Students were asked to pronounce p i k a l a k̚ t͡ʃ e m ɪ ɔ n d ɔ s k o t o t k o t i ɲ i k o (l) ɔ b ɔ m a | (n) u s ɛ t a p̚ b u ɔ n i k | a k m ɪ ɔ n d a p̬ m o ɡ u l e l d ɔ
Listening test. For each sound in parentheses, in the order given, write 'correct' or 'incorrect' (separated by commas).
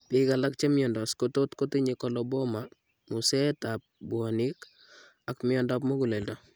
correct, incorrect